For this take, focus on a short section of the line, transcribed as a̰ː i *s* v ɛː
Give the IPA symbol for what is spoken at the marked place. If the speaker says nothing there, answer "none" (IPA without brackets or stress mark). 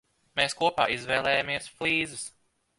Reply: z